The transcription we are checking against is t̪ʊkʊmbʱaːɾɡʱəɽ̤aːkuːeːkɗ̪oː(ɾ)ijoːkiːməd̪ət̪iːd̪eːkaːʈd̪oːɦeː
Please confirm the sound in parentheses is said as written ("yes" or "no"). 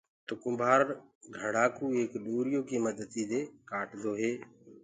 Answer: yes